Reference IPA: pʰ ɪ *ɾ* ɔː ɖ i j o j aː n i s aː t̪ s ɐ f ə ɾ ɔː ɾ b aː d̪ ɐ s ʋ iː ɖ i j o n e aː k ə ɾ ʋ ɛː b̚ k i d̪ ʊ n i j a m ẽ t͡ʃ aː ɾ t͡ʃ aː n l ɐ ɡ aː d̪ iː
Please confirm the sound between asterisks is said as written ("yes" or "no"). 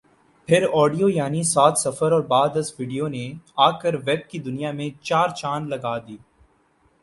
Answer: yes